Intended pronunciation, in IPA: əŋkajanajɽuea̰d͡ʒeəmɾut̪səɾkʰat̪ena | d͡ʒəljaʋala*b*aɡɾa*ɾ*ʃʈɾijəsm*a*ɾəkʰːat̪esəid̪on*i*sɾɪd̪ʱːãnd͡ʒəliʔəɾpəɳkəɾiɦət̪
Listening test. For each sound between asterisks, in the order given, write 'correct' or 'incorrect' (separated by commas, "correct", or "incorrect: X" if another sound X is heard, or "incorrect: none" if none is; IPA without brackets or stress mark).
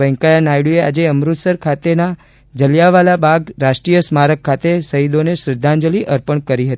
correct, incorrect: none, correct, incorrect: e